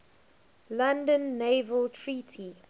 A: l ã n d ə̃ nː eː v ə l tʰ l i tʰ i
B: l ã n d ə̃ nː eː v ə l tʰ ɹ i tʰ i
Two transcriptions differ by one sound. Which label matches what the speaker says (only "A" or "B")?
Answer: B